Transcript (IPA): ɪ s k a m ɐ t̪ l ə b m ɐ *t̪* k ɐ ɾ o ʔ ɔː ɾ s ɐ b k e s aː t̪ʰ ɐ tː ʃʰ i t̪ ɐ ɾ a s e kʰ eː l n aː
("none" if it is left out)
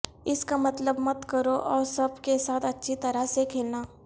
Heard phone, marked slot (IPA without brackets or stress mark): t̪